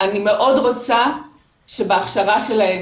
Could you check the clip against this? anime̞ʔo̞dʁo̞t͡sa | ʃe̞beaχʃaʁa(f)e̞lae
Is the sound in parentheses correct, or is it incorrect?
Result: incorrect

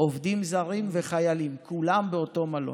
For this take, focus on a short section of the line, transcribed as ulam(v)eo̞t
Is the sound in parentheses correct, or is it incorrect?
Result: incorrect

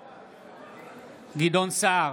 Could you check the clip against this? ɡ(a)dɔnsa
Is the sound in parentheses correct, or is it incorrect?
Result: incorrect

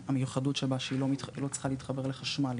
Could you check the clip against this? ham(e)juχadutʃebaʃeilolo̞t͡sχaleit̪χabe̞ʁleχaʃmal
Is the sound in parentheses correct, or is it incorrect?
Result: correct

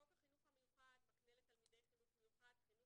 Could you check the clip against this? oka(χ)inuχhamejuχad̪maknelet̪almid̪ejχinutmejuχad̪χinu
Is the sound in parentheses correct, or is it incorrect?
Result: correct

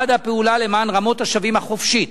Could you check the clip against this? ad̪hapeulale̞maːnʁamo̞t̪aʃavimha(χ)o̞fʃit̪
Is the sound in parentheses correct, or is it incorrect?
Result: correct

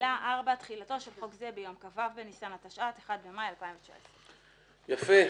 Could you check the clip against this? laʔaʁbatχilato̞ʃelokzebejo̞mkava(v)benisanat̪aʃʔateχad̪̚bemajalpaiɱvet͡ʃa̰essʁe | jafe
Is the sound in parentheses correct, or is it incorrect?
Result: correct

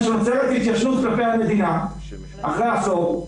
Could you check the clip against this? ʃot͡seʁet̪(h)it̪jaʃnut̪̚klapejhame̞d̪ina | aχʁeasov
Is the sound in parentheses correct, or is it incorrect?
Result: correct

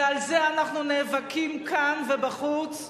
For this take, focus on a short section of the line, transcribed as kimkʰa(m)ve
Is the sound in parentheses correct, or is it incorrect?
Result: incorrect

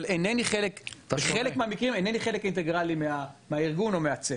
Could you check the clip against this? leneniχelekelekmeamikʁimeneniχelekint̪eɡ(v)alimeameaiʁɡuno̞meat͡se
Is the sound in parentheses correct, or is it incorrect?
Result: incorrect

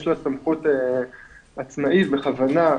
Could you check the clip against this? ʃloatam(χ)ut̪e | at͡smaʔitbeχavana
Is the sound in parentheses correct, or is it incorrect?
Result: correct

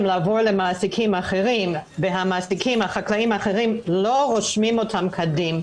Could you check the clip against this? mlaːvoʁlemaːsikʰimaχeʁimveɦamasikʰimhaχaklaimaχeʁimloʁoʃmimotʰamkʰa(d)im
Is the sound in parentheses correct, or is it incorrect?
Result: correct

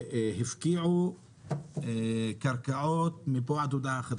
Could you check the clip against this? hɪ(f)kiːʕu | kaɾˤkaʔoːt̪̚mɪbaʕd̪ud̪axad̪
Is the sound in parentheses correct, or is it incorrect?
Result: correct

